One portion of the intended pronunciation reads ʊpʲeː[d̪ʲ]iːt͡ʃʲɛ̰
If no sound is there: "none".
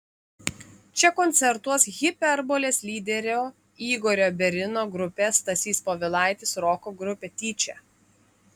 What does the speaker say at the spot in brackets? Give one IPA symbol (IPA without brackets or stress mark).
t̪ʲ